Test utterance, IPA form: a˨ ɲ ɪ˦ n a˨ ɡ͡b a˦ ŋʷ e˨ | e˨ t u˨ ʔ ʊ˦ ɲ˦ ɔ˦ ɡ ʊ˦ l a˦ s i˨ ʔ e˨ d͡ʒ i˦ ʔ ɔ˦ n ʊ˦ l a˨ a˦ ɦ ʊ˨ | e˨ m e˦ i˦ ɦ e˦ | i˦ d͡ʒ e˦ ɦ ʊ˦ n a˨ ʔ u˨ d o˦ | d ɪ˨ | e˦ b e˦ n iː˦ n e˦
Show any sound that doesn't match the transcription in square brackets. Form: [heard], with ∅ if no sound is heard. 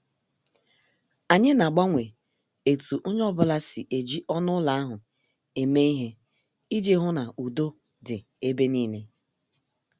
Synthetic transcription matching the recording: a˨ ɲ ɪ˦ n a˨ ɡ͡b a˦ ŋʷ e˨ | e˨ t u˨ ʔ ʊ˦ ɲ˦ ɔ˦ [b] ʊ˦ l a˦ s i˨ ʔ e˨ d͡ʒ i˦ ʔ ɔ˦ n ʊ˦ l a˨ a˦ ɦ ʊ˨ | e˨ m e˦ i˦ ɦ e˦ | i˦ d͡ʒ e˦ ɦ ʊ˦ n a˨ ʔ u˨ d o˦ | d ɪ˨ | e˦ b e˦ n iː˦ n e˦